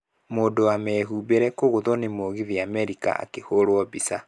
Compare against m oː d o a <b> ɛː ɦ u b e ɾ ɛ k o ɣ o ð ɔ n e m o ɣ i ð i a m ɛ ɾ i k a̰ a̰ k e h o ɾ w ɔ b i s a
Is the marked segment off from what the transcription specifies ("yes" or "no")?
yes